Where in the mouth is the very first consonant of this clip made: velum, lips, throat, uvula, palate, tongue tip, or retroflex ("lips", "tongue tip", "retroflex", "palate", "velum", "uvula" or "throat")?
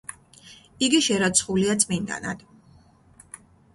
velum